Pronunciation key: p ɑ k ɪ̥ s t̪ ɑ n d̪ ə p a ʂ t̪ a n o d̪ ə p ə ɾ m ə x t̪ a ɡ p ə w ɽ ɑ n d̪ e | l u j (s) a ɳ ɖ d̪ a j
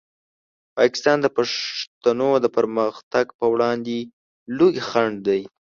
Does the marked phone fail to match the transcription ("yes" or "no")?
yes